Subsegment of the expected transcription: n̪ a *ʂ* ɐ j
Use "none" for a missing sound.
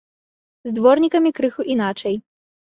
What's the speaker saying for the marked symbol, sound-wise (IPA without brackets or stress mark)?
t͡ʂ